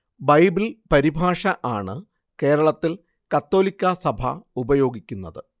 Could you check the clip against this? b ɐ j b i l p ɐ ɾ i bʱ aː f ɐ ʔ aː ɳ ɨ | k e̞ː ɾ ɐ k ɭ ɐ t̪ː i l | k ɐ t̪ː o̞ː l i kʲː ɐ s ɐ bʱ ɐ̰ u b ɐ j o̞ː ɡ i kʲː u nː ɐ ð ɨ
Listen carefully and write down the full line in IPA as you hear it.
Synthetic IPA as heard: b ɐ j b i l p ɐ ɾ i bʱ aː ʂ ɐ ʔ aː ɳ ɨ | k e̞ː ɾ ɐ ɭ ɐ t̪ː i l | k ɐ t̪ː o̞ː l i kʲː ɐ s ɐ bʱ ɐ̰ u b ɐ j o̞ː ɡ i kʲː u nː ɐ ð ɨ

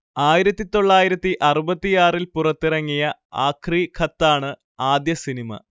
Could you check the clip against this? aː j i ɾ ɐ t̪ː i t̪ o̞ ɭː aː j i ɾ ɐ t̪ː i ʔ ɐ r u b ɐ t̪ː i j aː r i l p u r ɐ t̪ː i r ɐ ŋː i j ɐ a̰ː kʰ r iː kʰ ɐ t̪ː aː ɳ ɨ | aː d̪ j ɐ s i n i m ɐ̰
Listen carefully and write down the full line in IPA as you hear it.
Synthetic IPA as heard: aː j i ɾ ɐ t̪ː i t̪ o̞ ɭː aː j i ɾ ɐ t̪ː i ʔ ɐ r u b ɐ t̪ː i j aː r i l p u r ɐ t̪ː i r ɐ ŋː i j ɐ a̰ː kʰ r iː kʰ ɐ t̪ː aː ɳ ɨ | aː d̪ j ɐ s i n i m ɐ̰

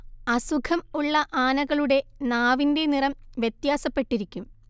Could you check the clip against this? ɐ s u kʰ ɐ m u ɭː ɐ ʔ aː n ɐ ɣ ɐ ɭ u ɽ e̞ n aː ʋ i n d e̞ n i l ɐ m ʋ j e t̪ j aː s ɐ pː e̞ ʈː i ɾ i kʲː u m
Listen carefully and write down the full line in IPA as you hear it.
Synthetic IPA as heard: ɐ s u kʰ ɐ m u ɭː ɐ ʔ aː n ɐ ɣ ɐ ɭ u ɽ e̞ n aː ʋ i n d e̞ n i r ɐ m ʋ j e t̪ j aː s ɐ pː e̞ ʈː i ɾ i kʲː u m

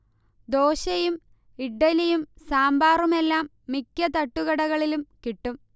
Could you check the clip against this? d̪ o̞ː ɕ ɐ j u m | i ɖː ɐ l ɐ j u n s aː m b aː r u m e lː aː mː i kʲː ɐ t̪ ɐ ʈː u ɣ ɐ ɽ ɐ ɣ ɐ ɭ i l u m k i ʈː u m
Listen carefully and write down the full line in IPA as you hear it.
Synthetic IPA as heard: d̪ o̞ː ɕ ɐ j u m | i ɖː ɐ l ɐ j u m s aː m b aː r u m e lː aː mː i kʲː ɐ t̪ ɐ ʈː u ɣ ɐ ɽ ɐ ɣ ɐ ɭ i l u m k i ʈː u m

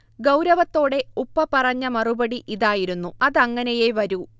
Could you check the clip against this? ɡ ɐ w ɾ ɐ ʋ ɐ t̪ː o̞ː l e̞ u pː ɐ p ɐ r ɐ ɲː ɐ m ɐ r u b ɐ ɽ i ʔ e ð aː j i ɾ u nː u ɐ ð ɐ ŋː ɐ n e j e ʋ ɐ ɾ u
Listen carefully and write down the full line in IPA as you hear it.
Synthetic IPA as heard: ɡ ɐ w ɾ ɐ ʋ ɐ t̪ː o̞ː ɽ e̞ u pː ɐ p ɐ r ɐ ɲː ɐ m ɐ r u b ɐ ɽ i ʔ i ð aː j i ɾ u nː u ɐ ð ɐ ŋː ɐ n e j e ʋ ɐ ɾ u

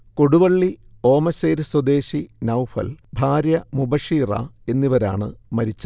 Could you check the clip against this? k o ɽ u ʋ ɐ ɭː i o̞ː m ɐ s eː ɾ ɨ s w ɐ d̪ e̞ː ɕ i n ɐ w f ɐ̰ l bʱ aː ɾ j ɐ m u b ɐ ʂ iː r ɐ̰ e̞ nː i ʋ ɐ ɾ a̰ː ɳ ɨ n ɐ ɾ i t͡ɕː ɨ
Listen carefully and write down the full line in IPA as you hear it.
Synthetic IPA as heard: k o ɽ u ʋ ɐ ɭː i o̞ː m ɐ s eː ɾ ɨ s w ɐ d̪ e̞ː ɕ i n ɐ w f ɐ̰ l bʱ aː ɾ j ɐ m u b ɐ ʂ iː r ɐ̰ e̞ nː i ʋ ɐ ɾ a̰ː ɳ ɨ m ɐ ɾ i t͡ɕː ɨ

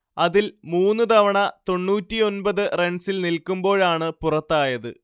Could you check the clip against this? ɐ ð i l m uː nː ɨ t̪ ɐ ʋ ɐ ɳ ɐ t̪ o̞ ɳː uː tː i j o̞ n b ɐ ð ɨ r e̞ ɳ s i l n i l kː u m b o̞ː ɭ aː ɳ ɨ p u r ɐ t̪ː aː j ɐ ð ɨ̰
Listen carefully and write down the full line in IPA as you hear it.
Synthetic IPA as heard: ɐ ð i l m uː nː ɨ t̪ ɐ ʋ ɐ ɳ ɐ t̪ o̞ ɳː uː tː i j o̞ n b ɐ ð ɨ r e̞ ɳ s i l n i l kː u m b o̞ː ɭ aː ɳ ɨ p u r ɐ t̪ː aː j ɐ ð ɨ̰

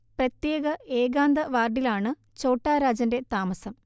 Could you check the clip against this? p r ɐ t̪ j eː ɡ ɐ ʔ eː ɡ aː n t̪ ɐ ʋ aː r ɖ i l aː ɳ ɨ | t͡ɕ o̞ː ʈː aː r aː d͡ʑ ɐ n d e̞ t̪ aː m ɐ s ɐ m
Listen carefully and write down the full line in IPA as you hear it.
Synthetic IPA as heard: p r ɐ t̪ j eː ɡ ɐ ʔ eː ɡ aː n d̪ ɐ ʋ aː r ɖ i l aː ɳ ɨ | t͡ɕ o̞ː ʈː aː ɾ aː d͡ʑ ɐ n d e̞ t̪ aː m ɐ s ɐ m

